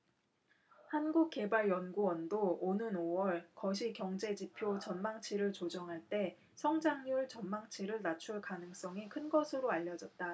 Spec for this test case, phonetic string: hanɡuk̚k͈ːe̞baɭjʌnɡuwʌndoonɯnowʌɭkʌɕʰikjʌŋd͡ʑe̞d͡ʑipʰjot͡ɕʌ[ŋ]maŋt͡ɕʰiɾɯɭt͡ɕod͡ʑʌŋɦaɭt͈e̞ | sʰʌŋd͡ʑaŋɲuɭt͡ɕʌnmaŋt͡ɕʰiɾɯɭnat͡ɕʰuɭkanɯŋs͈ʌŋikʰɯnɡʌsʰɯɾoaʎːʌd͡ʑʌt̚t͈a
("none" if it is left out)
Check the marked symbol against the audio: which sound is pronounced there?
n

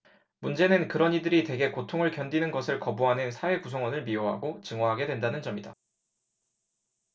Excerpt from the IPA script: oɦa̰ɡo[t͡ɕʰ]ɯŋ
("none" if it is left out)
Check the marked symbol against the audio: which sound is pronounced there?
t͡ɕ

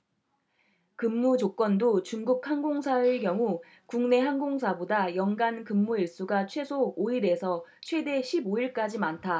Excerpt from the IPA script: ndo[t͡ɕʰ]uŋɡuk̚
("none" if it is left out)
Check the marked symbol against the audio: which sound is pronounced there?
t͡ɕ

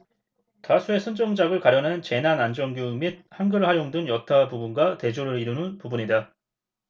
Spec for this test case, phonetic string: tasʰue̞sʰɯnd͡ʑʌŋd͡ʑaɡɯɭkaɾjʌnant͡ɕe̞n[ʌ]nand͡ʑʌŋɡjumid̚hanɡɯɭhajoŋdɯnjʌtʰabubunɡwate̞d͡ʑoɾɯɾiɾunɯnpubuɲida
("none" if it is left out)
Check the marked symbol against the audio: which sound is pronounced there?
a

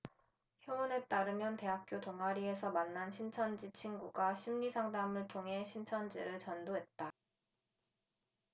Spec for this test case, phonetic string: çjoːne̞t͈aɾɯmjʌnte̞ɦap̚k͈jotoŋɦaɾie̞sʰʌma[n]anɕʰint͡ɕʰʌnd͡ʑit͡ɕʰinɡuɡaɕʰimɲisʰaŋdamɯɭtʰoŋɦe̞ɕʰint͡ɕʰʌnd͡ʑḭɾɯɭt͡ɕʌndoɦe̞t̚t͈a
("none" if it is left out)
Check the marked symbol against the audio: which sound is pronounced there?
nː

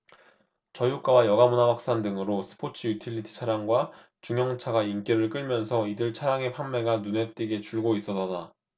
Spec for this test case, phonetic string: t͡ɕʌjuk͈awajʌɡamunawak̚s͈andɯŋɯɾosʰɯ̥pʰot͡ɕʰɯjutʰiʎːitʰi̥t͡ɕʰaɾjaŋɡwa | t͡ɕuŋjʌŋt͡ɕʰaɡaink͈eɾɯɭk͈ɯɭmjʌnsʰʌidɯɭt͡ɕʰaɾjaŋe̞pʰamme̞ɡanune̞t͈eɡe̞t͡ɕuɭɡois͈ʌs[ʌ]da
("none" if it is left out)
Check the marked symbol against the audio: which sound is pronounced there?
ʌ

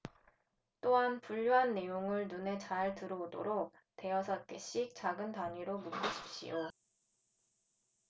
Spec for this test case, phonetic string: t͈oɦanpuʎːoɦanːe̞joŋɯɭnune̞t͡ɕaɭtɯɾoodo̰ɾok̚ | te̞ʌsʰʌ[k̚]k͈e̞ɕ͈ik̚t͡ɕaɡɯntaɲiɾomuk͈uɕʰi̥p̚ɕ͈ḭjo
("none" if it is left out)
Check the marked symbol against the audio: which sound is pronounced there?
t̚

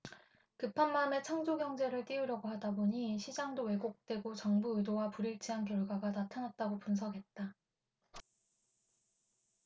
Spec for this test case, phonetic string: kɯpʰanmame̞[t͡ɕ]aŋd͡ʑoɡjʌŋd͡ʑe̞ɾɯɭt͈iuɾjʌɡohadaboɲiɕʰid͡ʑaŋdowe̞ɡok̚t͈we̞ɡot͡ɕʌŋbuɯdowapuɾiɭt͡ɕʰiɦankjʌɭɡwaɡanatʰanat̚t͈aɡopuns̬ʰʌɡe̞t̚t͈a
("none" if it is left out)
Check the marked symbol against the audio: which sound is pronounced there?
t͡ɕʰ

